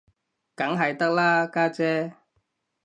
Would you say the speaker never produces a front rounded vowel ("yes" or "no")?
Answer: yes